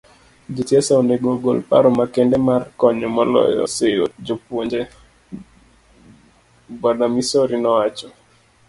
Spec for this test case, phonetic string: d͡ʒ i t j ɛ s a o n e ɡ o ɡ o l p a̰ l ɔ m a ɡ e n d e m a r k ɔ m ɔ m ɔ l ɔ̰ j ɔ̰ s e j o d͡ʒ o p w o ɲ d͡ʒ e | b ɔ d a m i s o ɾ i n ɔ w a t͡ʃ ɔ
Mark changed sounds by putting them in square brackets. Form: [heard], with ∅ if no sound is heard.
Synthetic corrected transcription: d͡ʒ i t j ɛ s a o n e ɡ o ɡ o l p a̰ [ɾ] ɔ m a [k] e n d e m a r k ɔ [ɲ] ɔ m ɔ l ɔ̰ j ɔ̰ s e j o d͡ʒ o p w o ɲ d͡ʒ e | b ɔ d a m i s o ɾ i n ɔ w a t͡ʃ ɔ